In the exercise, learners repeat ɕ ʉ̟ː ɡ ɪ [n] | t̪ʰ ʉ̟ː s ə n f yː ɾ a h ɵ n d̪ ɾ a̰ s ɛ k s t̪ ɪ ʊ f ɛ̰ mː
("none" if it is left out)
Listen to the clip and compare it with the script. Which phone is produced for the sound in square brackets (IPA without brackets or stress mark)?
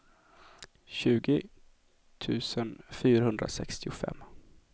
none